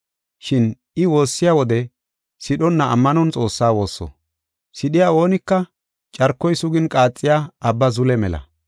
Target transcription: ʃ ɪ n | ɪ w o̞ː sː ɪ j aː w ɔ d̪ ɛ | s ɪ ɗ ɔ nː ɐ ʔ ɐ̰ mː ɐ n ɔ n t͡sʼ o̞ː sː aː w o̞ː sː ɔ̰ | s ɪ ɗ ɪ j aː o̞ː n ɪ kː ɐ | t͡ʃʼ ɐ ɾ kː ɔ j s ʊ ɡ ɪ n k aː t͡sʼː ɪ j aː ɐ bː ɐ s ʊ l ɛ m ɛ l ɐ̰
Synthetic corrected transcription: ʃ ɪ n | ɪ w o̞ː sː ɪ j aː w ɔ d̪ ɛ | s ɪ ɗ ɔ nː ɐ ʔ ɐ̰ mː ɐ n ɔ n t͡sʼ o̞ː sː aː w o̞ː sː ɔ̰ | s ɪ ɗ ɪ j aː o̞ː n ɪ kː ɐ | t͡ʃʼ ɐ ɾ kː ɔ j s ʊ ɡ ɪ n kʼ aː t͡sʼː ɪ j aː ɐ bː ɐ z ʊ l ɛ m ɛ l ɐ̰